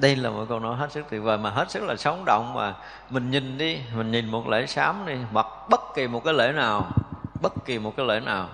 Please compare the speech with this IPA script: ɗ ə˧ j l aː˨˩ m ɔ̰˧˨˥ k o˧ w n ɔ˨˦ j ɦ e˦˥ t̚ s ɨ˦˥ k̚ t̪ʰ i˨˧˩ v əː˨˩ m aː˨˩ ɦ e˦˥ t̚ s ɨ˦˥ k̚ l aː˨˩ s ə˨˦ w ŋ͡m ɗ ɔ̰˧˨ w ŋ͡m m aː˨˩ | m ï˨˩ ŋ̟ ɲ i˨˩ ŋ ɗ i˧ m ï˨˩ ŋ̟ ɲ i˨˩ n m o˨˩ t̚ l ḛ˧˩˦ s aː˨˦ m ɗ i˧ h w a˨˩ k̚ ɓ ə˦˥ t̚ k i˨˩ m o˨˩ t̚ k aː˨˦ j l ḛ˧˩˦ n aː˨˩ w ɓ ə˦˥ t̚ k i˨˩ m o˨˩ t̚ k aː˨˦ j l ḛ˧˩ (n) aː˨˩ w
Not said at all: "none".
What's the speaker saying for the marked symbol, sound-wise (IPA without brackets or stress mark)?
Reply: n